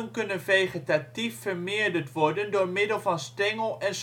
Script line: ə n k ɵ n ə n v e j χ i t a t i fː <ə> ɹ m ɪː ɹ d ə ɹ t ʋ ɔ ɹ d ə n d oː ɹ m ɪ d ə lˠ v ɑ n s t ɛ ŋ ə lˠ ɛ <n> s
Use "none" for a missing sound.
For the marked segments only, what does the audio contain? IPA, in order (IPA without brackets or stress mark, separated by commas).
ə, n